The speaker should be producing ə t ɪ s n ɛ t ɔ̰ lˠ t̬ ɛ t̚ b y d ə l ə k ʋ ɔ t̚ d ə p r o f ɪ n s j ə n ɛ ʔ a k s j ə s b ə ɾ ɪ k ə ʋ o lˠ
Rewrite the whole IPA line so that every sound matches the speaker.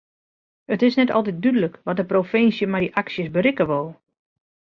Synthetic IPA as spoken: ə t ɪ s n ɛ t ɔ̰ lˠ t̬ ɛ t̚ d y d ə l ə k ʋ ɔ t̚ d ə p r o f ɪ n s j ə m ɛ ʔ a k s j ə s b ə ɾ ɪ k ə ʋ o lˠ